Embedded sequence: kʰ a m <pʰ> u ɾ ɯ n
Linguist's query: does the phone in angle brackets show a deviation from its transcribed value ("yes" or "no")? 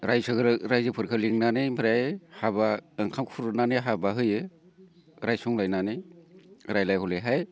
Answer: yes